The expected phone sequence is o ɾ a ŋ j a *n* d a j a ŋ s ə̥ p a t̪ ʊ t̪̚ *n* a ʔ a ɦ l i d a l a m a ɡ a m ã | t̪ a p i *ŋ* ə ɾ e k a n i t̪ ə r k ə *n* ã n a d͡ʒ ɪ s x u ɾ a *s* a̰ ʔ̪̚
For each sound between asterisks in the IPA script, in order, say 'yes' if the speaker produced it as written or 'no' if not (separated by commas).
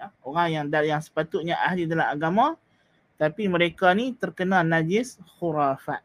no, no, no, yes, no